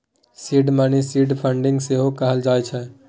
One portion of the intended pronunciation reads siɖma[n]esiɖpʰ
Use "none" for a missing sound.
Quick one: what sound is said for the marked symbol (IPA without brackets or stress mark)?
n